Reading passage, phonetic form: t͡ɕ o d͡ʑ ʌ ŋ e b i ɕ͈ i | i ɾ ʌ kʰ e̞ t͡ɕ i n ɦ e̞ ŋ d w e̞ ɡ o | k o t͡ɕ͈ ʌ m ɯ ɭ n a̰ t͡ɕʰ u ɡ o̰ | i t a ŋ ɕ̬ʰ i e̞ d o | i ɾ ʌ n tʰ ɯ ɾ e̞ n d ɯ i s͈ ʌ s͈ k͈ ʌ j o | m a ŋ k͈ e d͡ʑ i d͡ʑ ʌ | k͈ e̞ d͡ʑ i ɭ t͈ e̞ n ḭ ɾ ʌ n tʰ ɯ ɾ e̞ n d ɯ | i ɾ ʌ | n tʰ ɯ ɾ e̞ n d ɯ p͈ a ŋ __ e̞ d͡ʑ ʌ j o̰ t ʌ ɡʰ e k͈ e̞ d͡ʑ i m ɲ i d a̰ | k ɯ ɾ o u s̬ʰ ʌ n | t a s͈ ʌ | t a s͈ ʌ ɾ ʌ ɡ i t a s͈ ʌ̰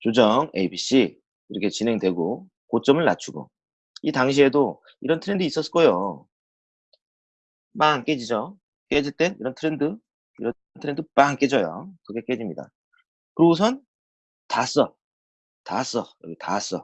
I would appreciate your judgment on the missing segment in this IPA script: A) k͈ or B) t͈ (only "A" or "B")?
A